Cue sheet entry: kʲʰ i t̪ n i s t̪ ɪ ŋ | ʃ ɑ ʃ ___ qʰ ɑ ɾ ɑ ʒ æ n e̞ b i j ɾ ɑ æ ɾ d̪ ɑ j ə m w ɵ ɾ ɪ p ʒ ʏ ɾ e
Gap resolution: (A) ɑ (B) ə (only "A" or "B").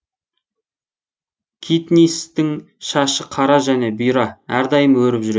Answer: B